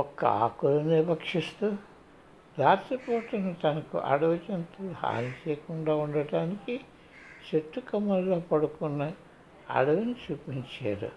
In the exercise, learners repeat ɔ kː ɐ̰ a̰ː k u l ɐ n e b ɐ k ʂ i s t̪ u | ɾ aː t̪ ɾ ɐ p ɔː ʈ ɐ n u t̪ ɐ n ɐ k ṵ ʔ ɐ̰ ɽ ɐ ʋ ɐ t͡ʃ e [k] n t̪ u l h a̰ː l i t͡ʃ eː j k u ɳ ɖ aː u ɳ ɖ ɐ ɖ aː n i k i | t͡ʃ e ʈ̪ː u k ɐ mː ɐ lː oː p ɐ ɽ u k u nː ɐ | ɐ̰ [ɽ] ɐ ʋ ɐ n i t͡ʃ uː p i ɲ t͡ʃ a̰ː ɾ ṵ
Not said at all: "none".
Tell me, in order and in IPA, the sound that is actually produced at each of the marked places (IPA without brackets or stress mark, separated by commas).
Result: none, ɽ